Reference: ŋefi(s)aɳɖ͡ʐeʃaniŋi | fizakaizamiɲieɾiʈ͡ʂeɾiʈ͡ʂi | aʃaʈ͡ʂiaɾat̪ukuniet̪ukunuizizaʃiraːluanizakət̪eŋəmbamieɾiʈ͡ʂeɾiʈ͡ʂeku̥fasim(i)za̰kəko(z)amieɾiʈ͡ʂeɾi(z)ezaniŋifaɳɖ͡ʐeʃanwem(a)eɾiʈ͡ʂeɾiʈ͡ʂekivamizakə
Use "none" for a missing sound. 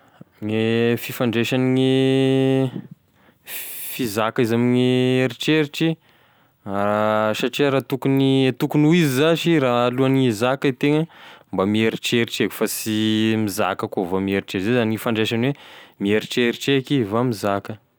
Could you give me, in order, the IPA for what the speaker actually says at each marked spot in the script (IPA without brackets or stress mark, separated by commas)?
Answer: f, i, v, z, i